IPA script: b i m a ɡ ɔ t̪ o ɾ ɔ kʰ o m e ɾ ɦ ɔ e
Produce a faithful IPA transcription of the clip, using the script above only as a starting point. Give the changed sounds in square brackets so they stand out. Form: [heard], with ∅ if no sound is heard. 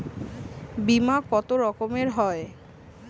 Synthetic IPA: b i m a [k] ɔ t̪ o ɾ ɔ [k] o m e ɾ ɦ ɔ e